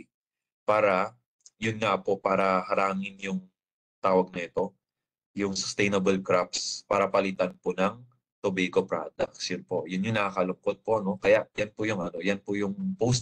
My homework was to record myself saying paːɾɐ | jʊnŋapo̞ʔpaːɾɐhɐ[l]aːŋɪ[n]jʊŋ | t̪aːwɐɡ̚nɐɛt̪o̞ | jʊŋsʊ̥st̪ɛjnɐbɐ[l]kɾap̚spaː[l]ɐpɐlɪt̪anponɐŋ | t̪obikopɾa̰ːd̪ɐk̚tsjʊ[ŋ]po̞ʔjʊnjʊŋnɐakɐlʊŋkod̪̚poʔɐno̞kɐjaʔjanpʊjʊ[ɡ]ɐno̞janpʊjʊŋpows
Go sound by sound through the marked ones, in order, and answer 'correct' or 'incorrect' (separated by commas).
incorrect, correct, correct, incorrect, incorrect, incorrect